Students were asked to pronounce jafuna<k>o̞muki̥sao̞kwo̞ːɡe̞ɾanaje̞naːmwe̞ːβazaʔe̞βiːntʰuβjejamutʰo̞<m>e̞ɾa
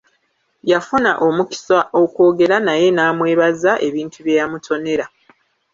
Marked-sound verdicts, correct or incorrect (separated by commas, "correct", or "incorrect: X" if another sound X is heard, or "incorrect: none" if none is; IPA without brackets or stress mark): incorrect: ʔ, incorrect: n